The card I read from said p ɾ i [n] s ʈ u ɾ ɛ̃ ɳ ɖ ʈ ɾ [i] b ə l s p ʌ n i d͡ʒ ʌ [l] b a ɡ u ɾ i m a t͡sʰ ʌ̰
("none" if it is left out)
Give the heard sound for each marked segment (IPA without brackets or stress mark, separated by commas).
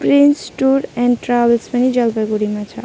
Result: n, a, l